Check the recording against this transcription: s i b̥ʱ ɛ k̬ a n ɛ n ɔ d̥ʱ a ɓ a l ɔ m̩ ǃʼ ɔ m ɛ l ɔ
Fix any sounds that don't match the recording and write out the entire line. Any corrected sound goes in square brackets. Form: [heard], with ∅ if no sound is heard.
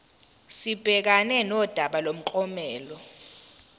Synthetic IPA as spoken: s i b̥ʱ ɛ k̬ a n ɛ n ɔ d̥ʱ a ɓ a l [o] m̩ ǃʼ ɔ m [ɛː] l ɔ

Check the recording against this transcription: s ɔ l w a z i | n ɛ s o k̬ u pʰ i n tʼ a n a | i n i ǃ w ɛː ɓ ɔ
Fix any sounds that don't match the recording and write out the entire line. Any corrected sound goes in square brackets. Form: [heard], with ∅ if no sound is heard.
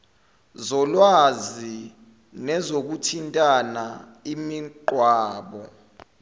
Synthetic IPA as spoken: [z] ɔ l w a z i | n ɛ [z] o k̬ u [tʰ] i n tʼ a n a | i [m] i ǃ w [aː] ɓ ɔ

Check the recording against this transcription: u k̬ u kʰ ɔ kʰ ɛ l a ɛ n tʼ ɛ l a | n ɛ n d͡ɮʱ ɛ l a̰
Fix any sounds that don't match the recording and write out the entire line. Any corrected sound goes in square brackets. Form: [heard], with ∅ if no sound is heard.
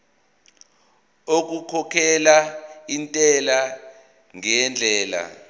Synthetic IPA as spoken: [o] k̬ u kʰ ɔ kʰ ɛ l a [i] n tʼ ɛ l a | [ŋ] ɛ n d͡ɮʱ [ɛː] l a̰

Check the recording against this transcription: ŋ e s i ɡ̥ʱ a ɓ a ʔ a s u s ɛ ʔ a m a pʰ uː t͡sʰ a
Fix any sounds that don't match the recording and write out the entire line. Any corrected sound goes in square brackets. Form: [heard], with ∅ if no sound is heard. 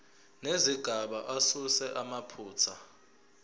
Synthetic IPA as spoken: [n] e [z] i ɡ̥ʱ a ɓ a ʔ a s u s ɛ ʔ a m a pʰ uː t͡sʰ a

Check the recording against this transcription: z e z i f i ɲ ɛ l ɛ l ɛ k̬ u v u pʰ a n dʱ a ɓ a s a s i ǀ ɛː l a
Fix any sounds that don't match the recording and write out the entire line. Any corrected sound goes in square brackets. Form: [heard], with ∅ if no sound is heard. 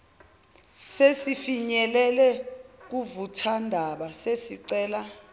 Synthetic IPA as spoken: [s] e [s] i f i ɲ ɛ l ɛ l ɛ k̬ u v u [tʰ] a n dʱ a ɓ a s [e] s i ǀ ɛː l a

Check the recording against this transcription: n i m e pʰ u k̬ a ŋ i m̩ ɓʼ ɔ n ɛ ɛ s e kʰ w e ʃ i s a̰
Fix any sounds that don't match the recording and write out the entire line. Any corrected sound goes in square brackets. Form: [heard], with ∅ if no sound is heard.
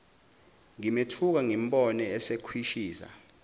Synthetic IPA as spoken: [ŋ] i m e [tʰ] u k̬ a ŋ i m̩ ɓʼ ɔ n ɛ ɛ s e kʰ w [i] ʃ [iː] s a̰

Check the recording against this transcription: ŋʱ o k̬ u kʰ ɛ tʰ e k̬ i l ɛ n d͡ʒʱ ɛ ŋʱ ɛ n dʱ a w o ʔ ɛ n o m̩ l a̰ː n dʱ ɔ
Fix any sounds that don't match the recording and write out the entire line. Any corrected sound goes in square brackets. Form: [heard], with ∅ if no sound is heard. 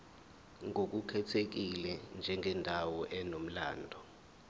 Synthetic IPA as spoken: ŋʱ o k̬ u kʰ ɛ tʰ e k̬ i l ɛ n d͡ʒʱ ɛ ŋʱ ɛ n dʱ a w [ɔ] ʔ ɛ n o m̩ l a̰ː n dʱ ɔ

